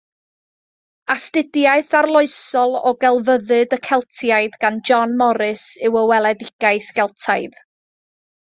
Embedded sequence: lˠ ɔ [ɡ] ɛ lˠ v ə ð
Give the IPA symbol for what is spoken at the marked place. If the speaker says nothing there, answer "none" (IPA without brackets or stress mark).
ɡ